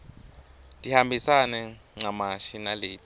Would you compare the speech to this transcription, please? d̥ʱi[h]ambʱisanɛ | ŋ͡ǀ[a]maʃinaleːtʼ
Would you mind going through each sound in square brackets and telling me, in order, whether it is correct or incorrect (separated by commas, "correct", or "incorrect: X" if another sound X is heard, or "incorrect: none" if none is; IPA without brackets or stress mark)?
correct, correct